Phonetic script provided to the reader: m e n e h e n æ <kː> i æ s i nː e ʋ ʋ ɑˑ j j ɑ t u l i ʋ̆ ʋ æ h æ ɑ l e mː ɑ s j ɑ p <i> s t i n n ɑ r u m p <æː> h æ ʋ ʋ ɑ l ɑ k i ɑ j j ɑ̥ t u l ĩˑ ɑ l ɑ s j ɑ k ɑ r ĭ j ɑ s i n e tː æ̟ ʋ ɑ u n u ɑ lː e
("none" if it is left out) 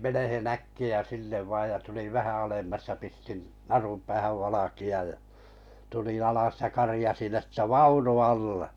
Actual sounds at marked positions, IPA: kː, i, æː

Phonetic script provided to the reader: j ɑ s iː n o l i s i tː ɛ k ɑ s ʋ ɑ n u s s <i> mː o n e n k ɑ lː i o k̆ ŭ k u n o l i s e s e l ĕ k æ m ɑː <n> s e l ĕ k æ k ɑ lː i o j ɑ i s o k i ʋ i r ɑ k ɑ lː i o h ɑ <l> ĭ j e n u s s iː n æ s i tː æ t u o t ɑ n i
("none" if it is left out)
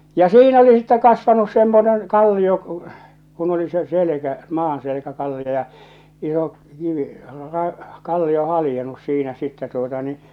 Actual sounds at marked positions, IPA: e, n, l

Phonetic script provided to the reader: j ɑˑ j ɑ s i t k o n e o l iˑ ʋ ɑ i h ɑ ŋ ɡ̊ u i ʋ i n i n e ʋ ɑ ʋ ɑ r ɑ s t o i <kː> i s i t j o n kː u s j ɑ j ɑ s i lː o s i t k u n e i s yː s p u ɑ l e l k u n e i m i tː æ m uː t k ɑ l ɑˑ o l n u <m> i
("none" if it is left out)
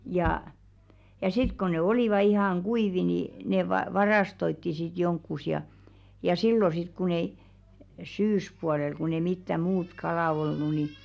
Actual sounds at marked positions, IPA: tː, n

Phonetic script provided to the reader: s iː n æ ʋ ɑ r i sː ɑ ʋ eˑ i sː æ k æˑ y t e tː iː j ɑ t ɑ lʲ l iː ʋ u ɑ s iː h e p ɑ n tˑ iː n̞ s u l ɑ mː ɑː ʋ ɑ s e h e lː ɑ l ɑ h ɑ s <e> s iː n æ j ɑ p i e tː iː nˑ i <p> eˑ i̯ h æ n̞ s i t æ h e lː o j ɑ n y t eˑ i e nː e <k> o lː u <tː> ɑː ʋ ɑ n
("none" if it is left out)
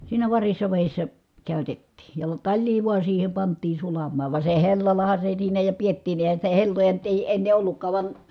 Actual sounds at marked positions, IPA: e, ʔ, ʔ, kː

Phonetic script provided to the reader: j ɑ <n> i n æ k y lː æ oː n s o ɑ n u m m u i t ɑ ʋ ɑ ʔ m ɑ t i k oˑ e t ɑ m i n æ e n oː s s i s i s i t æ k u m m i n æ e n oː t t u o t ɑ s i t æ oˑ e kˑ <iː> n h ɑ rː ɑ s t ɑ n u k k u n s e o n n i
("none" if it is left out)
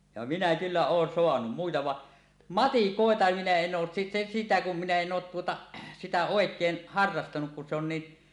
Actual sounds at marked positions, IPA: m, eː

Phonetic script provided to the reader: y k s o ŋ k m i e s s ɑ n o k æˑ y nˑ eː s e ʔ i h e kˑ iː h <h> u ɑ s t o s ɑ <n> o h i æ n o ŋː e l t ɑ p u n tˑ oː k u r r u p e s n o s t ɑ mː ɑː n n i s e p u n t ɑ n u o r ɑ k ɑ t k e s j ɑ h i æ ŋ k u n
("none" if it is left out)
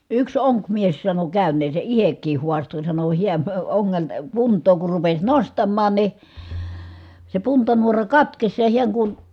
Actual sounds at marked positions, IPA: h, n

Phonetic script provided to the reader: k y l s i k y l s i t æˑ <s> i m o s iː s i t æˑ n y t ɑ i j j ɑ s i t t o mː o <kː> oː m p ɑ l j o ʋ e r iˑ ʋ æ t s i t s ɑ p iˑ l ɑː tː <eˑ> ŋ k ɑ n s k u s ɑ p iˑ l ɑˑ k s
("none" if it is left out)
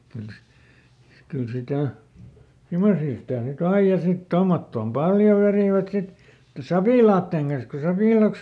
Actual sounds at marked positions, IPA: s, tː, eˑ

